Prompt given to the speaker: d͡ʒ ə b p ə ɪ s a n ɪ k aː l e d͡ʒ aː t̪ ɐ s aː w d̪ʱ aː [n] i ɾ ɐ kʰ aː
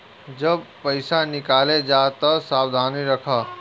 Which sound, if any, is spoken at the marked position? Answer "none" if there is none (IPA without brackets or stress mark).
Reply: n